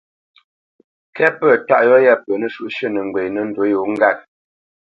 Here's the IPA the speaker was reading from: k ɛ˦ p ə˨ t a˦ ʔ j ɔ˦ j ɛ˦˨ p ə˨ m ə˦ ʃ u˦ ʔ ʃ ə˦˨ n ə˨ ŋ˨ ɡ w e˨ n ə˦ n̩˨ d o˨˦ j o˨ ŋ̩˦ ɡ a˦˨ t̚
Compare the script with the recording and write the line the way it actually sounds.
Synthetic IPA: k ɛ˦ p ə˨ t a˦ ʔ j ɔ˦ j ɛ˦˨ p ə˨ n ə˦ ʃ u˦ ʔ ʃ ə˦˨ n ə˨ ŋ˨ ɡ w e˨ n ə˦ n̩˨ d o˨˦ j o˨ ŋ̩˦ ɡ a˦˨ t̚